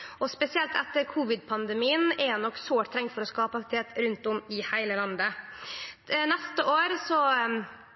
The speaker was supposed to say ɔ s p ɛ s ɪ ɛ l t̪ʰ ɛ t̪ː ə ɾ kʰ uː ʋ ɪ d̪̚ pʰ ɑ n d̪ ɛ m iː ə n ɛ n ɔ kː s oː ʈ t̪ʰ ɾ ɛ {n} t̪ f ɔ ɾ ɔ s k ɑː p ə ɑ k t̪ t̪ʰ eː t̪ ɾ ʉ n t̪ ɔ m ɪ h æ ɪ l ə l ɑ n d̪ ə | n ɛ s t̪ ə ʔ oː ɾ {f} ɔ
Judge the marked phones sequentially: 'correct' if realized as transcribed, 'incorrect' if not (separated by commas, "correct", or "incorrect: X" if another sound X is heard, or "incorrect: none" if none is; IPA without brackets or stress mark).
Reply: incorrect: ŋ, incorrect: s